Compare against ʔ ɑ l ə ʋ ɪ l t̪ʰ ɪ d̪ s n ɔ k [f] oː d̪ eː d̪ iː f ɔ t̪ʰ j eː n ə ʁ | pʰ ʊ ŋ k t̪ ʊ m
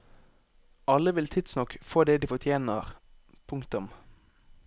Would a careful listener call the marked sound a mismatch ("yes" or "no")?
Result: no